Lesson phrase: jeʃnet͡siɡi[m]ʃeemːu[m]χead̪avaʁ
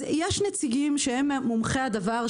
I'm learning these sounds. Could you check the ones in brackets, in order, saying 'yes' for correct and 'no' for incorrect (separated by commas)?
yes, yes